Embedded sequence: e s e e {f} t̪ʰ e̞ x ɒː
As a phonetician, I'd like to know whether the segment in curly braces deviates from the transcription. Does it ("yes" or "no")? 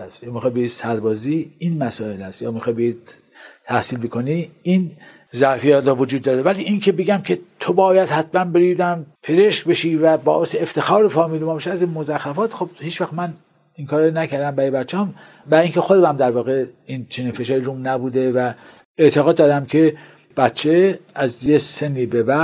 no